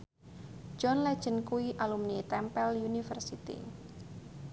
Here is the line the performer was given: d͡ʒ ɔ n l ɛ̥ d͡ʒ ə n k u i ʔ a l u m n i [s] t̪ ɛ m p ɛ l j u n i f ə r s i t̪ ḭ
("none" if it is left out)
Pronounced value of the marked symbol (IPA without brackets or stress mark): none